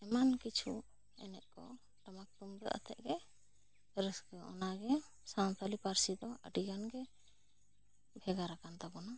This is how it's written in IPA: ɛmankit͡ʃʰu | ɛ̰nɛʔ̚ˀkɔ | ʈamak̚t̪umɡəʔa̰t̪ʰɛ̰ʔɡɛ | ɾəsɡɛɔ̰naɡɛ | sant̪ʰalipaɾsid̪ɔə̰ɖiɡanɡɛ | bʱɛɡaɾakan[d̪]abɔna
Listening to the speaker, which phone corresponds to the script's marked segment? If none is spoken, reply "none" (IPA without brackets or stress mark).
t̪